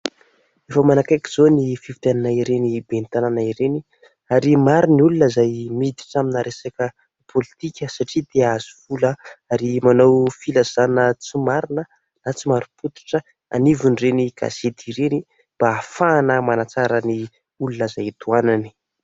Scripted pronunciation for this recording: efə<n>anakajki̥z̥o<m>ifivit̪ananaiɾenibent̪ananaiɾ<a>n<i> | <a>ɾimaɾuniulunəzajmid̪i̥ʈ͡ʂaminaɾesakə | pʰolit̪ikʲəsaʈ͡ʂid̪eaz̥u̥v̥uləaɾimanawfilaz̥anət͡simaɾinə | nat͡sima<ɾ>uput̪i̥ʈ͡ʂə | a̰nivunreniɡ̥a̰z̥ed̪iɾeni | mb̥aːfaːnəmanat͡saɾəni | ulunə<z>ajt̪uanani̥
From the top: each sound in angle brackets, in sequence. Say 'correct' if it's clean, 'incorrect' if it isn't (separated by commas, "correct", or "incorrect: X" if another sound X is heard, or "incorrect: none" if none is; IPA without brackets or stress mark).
incorrect: m, incorrect: n, incorrect: e, correct, correct, correct, correct